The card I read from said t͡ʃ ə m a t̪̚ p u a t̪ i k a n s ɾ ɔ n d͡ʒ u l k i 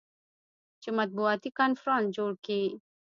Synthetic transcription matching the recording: t͡ʃ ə m a t̪̚ b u a t̪ i k a n f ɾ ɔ n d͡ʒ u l k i